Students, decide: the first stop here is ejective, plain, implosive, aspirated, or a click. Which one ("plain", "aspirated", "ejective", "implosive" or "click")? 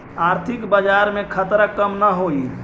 aspirated